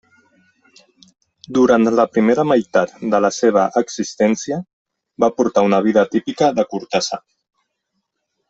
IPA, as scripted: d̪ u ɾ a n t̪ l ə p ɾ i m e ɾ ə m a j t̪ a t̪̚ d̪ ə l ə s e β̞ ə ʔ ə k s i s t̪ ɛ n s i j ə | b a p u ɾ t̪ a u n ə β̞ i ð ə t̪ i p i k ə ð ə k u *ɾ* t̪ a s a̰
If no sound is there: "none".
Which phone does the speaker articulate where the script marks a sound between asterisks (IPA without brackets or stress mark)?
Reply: ɾ